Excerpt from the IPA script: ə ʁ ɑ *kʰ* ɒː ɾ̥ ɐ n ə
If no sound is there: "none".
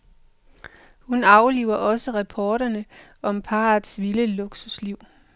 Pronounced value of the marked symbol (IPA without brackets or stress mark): pʰ